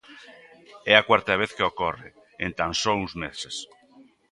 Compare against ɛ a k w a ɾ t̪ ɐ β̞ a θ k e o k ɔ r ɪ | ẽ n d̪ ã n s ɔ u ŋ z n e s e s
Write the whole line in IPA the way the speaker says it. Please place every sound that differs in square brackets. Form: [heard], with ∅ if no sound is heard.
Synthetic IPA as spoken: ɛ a k w a ɾ t̪ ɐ β̞ [e] θ k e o k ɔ r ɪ | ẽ n [t̪] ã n s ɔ u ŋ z [m] e s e s